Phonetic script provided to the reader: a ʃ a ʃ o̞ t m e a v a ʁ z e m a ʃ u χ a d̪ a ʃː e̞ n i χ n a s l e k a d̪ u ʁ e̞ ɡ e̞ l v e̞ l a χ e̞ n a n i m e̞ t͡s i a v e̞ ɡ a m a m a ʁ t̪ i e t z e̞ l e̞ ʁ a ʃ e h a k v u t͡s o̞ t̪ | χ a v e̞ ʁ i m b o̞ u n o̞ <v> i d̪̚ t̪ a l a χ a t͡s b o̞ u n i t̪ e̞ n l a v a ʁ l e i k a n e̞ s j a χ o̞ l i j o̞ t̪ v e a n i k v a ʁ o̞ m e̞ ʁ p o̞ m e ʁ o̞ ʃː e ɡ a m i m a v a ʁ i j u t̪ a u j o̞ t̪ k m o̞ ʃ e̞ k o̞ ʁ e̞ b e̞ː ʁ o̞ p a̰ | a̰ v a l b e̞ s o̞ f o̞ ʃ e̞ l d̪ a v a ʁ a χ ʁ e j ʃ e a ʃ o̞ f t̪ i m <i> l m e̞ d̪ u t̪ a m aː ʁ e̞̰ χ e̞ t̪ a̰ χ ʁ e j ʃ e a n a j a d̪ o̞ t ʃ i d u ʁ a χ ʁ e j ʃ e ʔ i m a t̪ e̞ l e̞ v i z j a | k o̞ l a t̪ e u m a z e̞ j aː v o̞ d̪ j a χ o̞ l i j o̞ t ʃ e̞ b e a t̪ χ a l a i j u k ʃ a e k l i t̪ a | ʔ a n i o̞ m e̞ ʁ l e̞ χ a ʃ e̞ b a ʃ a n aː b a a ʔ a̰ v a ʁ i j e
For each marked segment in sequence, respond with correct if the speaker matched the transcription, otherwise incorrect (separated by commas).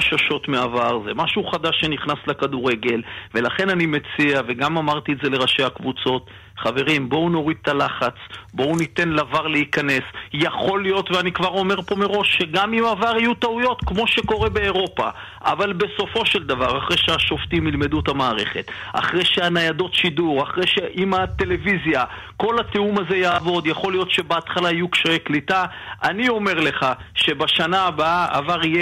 incorrect, correct